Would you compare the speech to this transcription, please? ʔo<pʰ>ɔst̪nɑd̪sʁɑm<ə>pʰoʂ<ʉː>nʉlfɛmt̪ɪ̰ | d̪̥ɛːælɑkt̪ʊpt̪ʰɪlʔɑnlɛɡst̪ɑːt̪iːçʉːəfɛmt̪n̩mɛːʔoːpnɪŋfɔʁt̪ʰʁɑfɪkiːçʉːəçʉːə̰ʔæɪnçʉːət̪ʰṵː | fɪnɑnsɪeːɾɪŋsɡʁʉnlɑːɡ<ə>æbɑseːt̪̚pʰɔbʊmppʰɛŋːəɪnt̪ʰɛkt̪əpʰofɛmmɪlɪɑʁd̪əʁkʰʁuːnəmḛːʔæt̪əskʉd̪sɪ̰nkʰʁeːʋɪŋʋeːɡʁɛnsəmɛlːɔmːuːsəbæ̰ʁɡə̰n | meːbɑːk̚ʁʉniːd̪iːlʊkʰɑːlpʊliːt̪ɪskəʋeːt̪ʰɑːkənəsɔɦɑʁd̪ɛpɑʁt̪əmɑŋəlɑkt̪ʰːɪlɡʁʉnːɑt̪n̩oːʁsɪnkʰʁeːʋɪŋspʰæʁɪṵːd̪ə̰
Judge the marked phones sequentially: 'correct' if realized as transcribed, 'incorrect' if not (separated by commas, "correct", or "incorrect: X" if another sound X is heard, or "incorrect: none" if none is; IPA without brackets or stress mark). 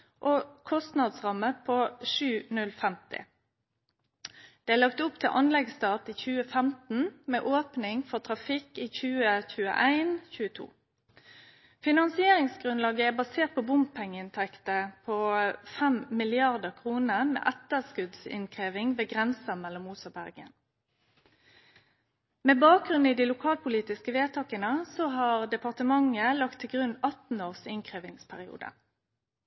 incorrect: kʰ, correct, correct, correct